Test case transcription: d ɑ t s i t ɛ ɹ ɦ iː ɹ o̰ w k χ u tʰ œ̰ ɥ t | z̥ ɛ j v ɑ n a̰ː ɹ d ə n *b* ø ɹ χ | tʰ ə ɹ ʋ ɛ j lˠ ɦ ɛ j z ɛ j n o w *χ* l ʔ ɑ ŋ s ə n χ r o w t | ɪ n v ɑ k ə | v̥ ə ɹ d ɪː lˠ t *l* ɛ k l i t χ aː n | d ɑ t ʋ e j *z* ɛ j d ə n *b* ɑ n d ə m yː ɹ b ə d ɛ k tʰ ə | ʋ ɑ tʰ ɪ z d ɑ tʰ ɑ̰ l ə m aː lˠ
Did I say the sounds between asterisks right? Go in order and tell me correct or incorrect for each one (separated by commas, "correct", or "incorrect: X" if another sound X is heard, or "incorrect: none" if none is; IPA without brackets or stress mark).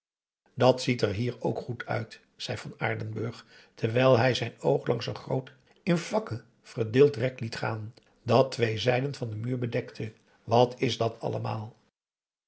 correct, correct, incorrect: r, correct, incorrect: v